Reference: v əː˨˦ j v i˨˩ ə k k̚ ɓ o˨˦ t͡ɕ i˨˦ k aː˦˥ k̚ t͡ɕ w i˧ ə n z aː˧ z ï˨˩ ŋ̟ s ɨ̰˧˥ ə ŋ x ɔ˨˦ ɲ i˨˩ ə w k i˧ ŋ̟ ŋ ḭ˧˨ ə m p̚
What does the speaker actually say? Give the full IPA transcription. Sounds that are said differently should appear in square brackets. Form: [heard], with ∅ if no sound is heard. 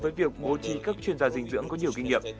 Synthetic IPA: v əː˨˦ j v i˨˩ ə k k̚ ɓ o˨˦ t͡ɕ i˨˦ k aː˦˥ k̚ t͡ɕ w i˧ ə n z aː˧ z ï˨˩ ŋ̟ [z] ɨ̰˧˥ ə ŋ [k] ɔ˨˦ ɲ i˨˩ ə w k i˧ ŋ̟ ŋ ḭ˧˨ ə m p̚